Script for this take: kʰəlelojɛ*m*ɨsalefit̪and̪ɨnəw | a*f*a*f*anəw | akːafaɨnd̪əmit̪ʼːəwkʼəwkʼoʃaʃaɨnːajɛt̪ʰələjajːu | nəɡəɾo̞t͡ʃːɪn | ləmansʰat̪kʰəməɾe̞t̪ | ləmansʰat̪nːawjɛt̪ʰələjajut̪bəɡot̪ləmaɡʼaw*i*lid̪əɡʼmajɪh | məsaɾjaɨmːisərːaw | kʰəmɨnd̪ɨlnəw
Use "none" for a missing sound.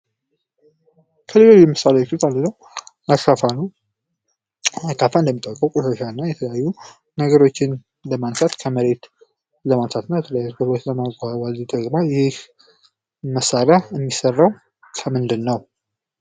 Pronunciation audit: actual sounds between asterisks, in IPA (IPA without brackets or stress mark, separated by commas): m, ʃ, f, a